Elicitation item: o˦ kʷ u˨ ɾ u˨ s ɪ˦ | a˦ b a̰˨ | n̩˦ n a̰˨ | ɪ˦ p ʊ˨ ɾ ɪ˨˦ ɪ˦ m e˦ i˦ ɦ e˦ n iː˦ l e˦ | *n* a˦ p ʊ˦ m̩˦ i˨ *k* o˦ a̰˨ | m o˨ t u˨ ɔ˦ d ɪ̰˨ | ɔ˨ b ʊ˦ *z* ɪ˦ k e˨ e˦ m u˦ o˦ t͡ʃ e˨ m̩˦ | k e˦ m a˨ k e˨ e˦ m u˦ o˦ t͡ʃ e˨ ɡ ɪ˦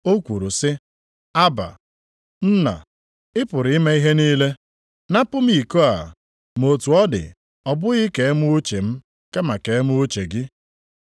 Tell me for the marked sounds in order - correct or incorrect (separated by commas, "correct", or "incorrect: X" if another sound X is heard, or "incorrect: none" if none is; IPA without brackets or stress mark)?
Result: correct, correct, incorrect: ɣ